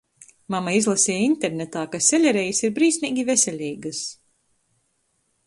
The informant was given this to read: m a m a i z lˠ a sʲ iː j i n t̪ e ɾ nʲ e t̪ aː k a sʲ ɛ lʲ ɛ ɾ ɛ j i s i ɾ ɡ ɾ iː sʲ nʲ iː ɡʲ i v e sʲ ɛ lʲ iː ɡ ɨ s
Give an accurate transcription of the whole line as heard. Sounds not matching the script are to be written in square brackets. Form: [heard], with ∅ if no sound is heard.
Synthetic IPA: m a m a i z lˠ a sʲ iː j i n t̪ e ɾ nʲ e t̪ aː k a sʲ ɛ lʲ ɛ ɾ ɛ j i s i ɾ [b] ɾ iː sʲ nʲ iː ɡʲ i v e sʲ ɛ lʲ iː ɡ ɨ s